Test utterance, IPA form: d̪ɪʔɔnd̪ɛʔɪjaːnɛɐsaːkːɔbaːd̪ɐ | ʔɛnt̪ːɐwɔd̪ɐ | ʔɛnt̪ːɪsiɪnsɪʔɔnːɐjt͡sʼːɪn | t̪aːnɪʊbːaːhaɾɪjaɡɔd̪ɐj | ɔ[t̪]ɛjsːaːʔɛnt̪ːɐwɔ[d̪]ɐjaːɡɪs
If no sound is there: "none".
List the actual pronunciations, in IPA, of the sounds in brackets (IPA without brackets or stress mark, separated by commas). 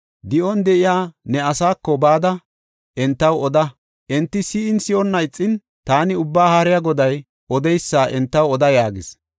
d̪, d̪